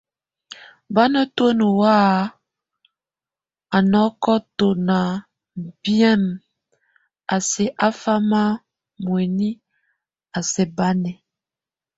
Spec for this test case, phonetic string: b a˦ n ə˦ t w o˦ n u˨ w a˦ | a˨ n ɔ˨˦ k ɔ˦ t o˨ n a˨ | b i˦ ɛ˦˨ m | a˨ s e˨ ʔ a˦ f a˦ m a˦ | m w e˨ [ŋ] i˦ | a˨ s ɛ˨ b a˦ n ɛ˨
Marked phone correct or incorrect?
incorrect